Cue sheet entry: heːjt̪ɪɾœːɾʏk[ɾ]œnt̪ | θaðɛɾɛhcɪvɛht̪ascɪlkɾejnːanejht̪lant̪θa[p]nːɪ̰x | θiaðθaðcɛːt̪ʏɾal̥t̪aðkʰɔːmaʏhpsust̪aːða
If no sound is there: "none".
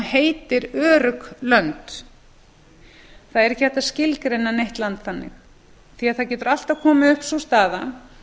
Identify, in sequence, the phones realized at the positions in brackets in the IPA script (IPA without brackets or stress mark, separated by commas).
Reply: l, none